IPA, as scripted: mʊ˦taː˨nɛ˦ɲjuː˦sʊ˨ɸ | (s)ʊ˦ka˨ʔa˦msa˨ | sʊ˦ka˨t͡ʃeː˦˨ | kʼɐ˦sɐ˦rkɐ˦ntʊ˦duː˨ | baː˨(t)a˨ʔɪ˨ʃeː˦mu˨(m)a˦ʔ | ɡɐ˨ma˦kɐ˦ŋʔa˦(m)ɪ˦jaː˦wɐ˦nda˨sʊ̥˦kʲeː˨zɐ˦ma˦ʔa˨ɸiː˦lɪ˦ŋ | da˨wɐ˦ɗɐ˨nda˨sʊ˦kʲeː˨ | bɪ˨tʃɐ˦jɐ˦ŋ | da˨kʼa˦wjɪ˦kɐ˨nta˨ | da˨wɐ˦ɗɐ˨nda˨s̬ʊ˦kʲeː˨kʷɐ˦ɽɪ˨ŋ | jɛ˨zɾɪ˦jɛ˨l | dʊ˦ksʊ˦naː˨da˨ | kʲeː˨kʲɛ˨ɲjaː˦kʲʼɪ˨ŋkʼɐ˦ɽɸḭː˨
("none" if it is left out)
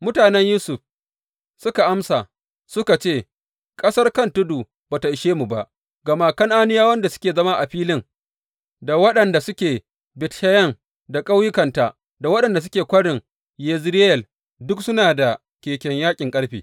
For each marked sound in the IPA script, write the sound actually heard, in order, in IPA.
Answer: s, t, b, n

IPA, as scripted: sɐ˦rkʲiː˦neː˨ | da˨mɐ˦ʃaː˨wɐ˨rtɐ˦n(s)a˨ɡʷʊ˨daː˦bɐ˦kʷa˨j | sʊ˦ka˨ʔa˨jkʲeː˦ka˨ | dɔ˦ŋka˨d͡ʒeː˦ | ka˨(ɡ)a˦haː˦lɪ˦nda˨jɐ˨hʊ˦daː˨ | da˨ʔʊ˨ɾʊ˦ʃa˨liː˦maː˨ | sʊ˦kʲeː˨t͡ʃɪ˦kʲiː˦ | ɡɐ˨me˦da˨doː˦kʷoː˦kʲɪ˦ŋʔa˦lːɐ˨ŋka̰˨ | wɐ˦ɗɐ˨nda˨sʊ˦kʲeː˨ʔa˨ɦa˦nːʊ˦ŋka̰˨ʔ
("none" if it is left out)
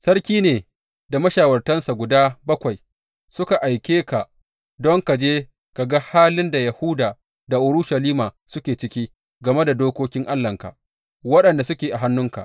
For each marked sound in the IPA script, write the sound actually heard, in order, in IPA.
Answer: s, ɡ

